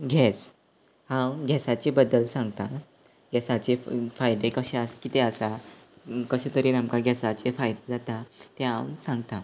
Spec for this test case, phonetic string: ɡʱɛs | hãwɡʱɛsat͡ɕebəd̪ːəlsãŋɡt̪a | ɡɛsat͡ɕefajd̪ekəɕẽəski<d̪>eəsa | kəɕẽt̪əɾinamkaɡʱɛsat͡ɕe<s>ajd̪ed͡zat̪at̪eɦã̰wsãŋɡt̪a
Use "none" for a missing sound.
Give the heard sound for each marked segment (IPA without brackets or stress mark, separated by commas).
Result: t̪, f